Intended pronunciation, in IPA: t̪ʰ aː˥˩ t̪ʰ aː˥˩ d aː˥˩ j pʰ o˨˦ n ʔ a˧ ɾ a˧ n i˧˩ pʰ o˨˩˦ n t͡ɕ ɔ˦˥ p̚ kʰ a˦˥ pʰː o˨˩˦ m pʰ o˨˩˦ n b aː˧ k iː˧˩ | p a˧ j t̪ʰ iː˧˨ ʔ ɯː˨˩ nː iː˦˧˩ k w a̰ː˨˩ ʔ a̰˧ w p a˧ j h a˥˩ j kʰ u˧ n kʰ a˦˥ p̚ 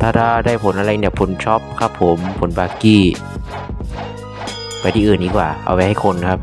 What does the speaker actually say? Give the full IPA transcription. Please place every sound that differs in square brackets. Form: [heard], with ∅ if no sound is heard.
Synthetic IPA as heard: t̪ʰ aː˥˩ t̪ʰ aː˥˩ d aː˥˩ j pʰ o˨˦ n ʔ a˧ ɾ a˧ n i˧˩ pʰ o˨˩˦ n [t͡ɕʰ] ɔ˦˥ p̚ kʰ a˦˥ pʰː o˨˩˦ m pʰ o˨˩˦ n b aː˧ k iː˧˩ | p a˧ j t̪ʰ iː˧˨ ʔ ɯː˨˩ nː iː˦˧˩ k w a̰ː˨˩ ʔ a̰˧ w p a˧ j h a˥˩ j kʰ [o˧] n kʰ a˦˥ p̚